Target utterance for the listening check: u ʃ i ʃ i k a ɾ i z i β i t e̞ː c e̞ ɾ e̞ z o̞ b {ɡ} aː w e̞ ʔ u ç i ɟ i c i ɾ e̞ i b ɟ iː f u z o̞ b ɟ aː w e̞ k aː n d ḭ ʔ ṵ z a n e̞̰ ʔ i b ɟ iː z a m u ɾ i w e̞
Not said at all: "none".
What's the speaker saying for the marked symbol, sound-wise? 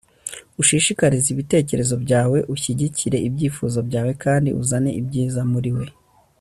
ɟ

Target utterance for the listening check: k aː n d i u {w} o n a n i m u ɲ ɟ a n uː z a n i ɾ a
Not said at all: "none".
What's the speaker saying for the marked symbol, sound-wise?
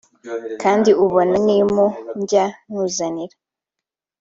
β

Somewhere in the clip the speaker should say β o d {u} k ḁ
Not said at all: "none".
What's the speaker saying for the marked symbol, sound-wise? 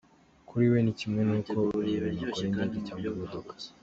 o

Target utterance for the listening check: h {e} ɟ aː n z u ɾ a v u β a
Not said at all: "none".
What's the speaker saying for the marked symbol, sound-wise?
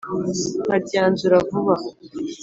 a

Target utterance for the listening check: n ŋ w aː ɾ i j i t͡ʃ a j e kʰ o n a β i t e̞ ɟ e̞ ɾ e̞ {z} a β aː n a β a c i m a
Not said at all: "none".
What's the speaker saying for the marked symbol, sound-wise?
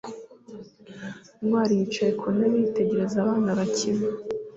z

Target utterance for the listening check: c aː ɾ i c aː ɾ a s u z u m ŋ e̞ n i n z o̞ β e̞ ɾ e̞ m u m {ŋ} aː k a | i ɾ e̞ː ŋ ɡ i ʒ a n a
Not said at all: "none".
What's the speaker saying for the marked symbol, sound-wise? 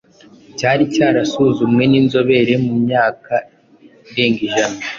ɲ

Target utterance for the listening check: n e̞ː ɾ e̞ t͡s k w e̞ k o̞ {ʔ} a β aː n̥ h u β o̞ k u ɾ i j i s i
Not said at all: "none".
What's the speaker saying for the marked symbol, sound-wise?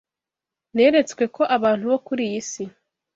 ʔ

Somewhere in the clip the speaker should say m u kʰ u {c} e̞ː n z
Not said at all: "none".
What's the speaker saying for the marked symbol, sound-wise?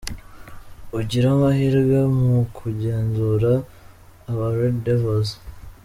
ɟ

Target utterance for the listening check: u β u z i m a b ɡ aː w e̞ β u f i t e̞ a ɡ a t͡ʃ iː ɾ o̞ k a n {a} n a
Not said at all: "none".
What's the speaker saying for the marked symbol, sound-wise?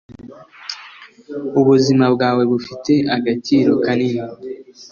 i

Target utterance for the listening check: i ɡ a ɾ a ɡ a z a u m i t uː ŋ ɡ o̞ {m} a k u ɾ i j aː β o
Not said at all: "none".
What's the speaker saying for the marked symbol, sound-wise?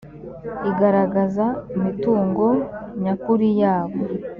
ɲ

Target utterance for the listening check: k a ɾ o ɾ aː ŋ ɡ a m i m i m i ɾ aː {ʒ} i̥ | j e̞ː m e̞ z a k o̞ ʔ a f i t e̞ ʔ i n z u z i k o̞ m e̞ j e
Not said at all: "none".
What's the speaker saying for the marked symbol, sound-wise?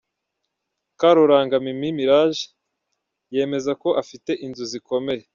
ʒ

